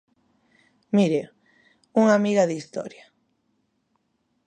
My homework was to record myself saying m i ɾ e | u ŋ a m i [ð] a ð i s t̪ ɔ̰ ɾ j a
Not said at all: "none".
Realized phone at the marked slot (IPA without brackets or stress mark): ɣ